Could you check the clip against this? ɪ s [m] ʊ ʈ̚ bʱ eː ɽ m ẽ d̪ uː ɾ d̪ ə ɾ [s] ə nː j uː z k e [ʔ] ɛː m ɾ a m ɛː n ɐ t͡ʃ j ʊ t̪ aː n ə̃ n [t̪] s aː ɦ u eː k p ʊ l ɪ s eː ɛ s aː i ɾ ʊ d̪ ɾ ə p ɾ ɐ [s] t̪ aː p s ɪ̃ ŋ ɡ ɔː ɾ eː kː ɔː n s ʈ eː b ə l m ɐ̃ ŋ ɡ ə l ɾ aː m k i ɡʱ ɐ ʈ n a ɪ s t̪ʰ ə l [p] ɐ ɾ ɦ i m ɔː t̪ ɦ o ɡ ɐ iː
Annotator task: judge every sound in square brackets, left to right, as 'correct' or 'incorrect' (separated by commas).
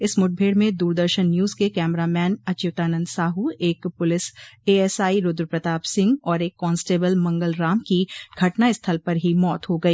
correct, incorrect, incorrect, incorrect, incorrect, correct